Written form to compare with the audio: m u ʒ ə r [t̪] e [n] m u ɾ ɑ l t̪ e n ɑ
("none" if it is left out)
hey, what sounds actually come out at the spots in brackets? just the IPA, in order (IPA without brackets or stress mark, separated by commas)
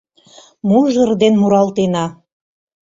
d̪, n